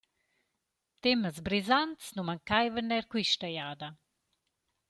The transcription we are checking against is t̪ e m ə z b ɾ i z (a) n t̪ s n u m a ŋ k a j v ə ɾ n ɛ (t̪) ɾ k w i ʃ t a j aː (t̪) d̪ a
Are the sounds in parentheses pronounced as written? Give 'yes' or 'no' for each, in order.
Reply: yes, no, no

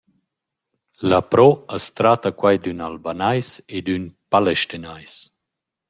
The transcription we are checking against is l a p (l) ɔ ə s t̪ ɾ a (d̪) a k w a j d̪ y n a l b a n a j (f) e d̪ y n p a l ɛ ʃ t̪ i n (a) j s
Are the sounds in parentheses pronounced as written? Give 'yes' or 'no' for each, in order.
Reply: no, no, no, yes

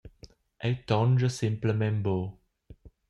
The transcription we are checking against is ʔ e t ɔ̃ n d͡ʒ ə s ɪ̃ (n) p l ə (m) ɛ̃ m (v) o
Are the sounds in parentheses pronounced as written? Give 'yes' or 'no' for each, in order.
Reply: no, yes, no

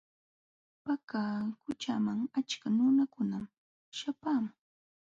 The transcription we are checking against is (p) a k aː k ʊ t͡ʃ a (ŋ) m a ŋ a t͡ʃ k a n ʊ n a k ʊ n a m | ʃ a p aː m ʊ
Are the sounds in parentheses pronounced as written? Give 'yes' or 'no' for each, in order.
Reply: yes, no

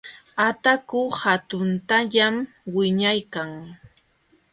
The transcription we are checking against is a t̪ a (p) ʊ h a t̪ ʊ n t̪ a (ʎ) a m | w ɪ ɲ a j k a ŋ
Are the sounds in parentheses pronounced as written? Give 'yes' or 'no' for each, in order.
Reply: no, yes

